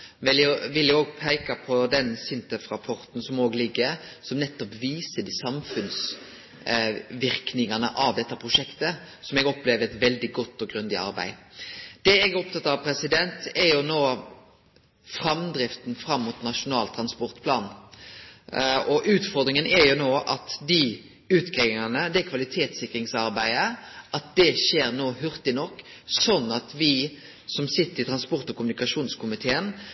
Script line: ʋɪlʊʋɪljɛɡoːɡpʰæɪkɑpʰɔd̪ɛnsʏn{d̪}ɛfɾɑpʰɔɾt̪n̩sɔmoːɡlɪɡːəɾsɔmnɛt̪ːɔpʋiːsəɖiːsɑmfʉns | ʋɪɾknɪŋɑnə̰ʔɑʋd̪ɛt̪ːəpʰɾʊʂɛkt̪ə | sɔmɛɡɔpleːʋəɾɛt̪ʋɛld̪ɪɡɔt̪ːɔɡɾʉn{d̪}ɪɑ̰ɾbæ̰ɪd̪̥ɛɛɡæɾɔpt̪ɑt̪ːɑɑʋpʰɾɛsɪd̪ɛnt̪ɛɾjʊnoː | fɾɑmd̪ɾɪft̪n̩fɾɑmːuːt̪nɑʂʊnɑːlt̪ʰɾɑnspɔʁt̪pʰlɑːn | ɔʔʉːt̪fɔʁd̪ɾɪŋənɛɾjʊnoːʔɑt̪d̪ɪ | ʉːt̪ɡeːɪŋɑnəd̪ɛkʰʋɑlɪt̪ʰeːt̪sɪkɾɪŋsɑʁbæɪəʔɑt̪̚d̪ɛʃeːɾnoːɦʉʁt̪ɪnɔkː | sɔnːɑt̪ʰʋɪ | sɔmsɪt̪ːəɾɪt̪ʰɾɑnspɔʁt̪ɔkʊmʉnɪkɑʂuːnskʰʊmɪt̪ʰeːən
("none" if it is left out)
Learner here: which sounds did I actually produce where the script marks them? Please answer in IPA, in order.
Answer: t̪, d̪

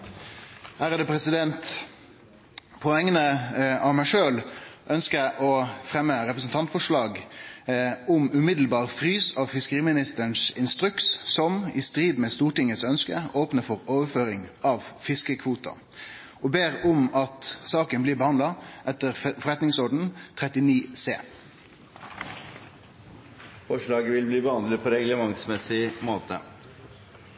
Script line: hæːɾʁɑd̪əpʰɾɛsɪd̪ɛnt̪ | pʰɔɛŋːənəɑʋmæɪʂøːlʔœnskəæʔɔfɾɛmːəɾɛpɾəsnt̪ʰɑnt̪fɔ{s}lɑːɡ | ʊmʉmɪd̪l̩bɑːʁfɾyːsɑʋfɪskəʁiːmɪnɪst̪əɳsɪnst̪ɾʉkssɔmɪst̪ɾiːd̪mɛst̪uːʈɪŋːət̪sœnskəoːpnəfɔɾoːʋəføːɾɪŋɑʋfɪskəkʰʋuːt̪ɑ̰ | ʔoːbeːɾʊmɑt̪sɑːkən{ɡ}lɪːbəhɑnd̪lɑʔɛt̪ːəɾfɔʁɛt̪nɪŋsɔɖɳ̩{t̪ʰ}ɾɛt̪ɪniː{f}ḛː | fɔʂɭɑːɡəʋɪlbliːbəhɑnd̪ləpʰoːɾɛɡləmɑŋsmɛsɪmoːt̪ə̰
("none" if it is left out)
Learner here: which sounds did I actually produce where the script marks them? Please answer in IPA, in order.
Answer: ʂ, b, t̪ʰ, s

